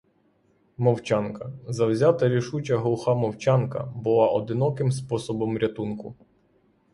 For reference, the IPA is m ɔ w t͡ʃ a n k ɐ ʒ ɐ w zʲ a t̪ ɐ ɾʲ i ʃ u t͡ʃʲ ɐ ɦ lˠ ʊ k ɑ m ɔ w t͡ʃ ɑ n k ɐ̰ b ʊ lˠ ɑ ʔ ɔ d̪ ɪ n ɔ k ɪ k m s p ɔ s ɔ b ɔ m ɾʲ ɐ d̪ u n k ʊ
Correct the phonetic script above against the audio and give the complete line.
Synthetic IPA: m ɔ w t͡ʃ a n k ɐ z ɐ w zʲ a t̪ ɐ ɾʲ i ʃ u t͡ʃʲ ɐ ɦ lˠ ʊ x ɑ m ɔ w t͡ʃ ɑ n k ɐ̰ b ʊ lˠ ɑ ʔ ɔ d̪ ɪ n ɔ k ɪ m s p ɔ s ɔ b ɔ m ɾʲ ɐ t̪ u n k ʊ